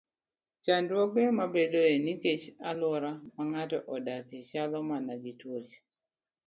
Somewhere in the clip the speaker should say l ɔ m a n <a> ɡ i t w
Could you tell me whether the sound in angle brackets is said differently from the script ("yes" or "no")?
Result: no